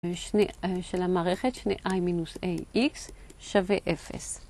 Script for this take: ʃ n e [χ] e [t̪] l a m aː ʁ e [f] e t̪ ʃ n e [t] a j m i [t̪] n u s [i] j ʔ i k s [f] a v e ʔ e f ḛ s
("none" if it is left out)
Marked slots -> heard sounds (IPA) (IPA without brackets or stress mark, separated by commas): ʃ, none, χ, ʔ, none, e, ʃ